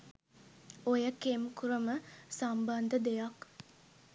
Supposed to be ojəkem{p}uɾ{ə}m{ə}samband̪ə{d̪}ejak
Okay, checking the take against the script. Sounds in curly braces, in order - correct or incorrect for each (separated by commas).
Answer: incorrect, correct, correct, correct